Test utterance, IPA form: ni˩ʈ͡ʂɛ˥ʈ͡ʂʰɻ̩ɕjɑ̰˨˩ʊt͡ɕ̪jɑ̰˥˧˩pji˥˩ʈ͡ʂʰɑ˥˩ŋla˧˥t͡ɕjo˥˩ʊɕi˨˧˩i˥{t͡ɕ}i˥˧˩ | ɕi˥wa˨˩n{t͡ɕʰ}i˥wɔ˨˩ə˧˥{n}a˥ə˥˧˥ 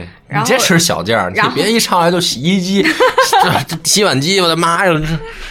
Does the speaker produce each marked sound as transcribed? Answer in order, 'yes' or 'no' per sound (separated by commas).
yes, no, no